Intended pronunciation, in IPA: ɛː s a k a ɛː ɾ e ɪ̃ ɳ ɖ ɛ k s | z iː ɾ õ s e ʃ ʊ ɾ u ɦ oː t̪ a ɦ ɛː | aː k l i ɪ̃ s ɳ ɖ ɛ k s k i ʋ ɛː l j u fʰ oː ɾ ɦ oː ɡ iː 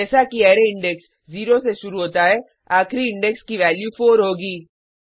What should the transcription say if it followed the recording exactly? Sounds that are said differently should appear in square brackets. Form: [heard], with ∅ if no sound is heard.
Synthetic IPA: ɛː s a k [i] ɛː ɾ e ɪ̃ ɳ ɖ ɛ k s | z iː ɾ [o] s e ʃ ʊ ɾ u ɦ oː t̪ a ɦ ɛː | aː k [ɾ] i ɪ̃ [∅] ɳ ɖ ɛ k s k i ʋ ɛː l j u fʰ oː ɾ ɦ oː ɡ iː

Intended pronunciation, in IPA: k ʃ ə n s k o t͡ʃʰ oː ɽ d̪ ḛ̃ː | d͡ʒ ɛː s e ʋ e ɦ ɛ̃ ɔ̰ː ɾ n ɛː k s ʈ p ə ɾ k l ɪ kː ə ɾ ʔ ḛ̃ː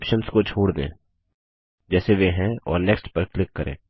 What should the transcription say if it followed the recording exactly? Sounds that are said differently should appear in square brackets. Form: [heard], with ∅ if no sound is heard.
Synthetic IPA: [p] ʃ ə n s k o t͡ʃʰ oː ɽ d̪ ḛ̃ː | d͡ʒ ɛː s e ʋ e ɦ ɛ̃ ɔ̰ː ɾ n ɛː k s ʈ p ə ɾ k l ɪ kː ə ɾ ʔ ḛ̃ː

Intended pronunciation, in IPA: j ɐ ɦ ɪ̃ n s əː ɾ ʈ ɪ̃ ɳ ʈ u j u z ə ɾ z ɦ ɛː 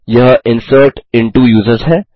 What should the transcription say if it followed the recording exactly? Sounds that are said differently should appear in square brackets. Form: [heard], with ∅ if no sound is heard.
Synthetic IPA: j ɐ ɦ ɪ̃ n s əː ɾ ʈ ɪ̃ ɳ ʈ u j [uː] z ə ɾ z ɦ ɛː

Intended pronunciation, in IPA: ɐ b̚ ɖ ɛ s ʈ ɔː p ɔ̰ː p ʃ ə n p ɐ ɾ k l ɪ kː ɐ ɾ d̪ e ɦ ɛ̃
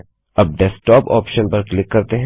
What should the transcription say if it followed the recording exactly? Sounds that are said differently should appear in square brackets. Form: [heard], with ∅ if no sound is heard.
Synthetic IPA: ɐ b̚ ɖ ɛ s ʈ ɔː p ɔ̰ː p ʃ ə n p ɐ ɾ k l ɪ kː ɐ ɾ [t̪] e ɦ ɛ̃

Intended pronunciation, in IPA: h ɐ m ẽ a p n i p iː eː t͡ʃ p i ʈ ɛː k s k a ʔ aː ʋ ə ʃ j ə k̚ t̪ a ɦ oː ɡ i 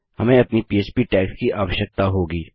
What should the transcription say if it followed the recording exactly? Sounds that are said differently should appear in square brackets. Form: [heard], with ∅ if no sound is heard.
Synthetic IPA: h ɐ m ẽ [ɐ] p n i p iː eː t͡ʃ p i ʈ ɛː k s k [i] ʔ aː ʋ ə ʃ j ə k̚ t̪ a ɦ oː ɡ [iː]

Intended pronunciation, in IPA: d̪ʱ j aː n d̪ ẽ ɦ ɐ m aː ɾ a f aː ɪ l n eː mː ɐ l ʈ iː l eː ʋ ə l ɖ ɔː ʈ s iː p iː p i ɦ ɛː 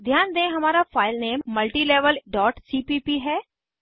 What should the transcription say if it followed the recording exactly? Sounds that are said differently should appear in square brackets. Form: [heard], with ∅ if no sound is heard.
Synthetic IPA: d̪ʱ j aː n d̪ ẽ ɦ ɐ m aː ɾ a f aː ɪ l n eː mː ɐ l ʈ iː l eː ʋ ə l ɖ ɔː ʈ s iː p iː p i ɦ ɛː

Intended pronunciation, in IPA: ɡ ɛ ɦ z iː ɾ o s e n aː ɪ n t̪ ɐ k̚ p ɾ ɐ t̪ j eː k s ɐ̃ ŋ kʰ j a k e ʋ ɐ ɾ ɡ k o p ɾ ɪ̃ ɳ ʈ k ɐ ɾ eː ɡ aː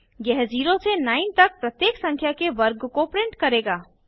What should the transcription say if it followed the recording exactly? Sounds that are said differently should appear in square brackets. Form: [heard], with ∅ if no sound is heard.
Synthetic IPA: ɡ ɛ ɦ z iː ɾ o s e n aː ɪ n t̪ ɐ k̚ p ɾ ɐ t̪ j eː k s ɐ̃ ŋ kʰ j a k e ʋ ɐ ɾ ɡ k o p ɾ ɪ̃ ɳ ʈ k ɐ ɾ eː ɡ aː

